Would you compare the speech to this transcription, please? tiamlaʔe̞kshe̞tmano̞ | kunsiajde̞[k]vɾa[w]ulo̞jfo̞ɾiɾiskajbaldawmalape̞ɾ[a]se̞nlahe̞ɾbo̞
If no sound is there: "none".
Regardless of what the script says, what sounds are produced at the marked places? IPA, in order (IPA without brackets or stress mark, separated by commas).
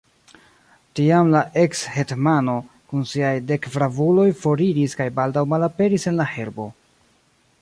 k, v, i